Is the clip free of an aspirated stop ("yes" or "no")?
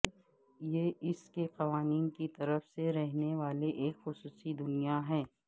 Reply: yes